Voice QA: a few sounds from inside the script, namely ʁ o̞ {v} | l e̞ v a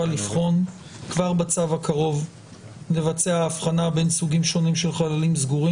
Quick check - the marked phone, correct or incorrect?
correct